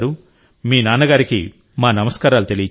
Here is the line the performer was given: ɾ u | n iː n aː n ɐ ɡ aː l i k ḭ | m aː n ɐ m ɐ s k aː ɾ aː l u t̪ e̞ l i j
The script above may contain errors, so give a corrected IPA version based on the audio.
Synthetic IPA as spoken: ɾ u | m iː n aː n ɐ ɡ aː ɾ i k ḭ | m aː n ɐ m ɐ s k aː ɾ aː l u t̪ e̞ l i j